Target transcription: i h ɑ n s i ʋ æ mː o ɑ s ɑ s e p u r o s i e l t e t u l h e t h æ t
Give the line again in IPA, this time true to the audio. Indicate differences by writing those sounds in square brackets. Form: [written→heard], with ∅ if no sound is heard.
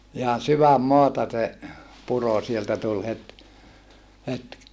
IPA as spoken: i h ɑ n s [i→y] ʋ æ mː o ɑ [s→t] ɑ s e p u r o s i e l t [e→æ] t u l h e t h [æ→e] t